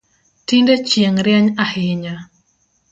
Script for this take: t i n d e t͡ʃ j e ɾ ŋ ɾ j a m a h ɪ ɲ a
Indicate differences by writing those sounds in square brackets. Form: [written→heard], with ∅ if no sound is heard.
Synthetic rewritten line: t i n d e t͡ʃ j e [ɾ→∅] ŋ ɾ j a [m→ɲ] a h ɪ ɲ a

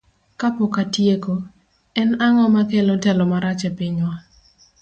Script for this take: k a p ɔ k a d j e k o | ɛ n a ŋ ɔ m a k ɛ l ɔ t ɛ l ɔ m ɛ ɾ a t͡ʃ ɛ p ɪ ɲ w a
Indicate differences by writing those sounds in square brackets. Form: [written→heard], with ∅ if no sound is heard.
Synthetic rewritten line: k a p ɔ k a [d→t] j e k o | ɛ n a ŋ ɔ m a k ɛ l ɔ t ɛ l ɔ m [ɛ→a] ɾ a t͡ʃ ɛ p ɪ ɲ w a

